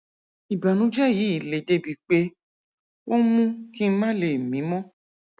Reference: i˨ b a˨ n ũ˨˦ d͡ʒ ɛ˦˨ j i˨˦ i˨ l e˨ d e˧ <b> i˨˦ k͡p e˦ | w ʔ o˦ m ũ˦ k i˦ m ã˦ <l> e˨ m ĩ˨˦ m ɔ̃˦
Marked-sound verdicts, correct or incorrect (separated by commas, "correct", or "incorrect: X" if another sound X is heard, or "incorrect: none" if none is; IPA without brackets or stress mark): correct, correct